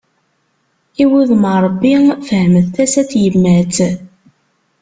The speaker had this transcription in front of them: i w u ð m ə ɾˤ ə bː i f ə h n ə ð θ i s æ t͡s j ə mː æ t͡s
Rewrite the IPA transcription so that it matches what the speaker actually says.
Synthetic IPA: i w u ð m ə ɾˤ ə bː i f ə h m ə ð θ æ s æ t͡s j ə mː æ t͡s